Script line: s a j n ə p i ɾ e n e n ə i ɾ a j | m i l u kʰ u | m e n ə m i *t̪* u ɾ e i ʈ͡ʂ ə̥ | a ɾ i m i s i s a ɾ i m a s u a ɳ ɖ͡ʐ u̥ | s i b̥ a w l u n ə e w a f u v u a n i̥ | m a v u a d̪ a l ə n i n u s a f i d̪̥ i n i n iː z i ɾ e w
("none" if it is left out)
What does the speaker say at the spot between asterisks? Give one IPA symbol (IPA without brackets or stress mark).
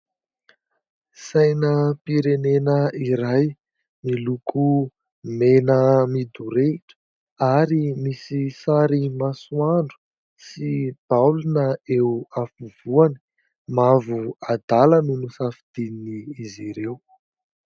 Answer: d̪